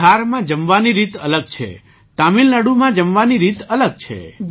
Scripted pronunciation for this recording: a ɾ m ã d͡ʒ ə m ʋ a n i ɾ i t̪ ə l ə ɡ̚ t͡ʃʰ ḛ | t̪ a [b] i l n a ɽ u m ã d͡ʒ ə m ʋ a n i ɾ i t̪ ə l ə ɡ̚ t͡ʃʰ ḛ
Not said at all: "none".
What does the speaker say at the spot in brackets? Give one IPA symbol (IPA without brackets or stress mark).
m